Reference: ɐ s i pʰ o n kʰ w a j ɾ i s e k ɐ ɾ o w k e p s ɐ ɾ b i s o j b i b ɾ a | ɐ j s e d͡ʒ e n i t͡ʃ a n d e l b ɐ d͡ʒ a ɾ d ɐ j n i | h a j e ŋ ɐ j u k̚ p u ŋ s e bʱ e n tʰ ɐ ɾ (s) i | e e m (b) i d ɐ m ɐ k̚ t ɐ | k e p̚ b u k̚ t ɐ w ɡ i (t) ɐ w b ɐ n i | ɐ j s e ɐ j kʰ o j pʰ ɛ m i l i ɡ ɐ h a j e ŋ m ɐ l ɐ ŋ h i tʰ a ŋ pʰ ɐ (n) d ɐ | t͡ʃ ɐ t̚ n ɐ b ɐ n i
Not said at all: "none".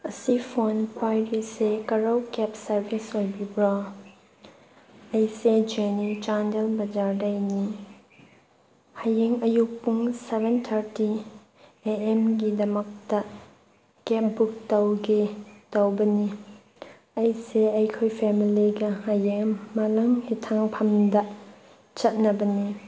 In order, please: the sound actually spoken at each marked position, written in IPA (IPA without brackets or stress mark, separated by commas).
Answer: t, ɡ, t, m